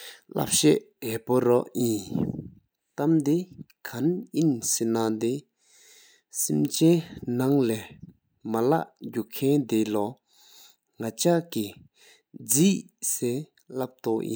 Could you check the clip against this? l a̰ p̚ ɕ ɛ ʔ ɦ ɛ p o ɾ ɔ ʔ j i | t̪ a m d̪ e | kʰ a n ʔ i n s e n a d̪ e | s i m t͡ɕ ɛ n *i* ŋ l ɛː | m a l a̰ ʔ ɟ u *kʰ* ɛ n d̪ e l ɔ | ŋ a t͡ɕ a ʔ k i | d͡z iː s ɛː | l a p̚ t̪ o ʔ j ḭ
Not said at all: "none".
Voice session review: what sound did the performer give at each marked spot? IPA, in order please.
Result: a, kʰ

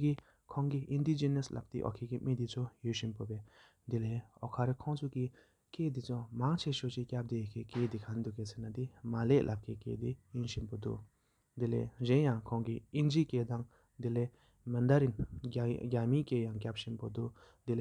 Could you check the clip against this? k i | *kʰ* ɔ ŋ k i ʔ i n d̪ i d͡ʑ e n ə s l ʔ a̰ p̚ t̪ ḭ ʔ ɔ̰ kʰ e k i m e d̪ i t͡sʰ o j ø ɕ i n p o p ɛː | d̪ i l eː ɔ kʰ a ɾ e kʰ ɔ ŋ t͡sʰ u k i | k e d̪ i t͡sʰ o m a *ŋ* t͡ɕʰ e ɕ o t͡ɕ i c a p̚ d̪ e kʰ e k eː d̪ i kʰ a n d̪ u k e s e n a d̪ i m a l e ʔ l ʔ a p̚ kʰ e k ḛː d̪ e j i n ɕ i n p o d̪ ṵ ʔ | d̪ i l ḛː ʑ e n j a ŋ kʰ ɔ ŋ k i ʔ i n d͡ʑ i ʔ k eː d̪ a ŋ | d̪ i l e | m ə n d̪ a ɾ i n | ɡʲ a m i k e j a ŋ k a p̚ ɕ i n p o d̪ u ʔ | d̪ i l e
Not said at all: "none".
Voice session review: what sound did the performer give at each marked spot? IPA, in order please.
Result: kʰ, ŋ

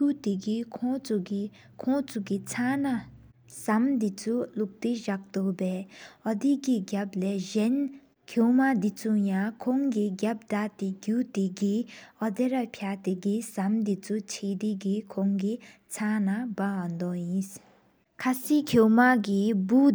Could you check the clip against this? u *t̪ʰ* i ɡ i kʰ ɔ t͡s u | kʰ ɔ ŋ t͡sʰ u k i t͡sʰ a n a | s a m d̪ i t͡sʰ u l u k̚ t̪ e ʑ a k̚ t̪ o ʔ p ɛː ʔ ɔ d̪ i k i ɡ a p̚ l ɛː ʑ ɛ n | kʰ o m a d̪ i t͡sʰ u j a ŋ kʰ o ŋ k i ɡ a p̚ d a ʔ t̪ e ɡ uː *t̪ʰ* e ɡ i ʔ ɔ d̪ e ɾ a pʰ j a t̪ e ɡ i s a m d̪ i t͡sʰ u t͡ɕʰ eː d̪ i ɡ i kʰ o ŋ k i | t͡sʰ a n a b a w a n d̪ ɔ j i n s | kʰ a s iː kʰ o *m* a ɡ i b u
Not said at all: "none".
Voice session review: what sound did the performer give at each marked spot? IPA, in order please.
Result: t̪, t̪, m

